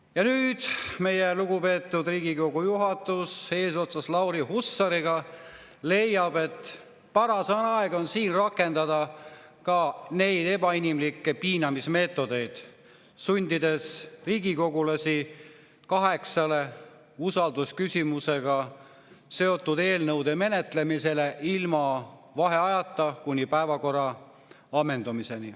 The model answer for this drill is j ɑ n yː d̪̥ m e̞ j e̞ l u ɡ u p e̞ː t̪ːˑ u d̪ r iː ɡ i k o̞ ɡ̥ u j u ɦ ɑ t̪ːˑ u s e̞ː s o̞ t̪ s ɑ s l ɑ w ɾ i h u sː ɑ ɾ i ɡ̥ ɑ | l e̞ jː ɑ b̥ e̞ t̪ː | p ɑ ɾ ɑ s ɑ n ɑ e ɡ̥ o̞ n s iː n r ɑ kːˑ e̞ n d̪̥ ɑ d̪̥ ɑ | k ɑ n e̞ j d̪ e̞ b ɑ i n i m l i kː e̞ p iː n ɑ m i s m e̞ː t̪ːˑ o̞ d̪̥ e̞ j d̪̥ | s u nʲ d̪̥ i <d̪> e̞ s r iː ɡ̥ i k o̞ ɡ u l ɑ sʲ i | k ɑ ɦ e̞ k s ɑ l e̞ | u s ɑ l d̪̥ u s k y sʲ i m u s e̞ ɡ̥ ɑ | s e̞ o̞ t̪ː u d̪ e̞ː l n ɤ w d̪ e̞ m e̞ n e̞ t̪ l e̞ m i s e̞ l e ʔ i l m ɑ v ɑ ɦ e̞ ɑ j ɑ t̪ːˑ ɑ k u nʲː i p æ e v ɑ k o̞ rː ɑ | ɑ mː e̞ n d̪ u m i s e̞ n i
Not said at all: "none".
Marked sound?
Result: d̪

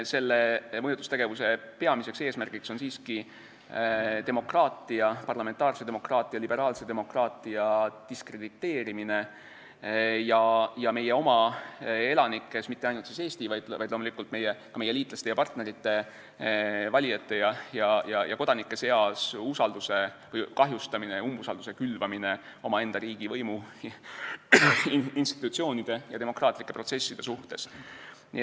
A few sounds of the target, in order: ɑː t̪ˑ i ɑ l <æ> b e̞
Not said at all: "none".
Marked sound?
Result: i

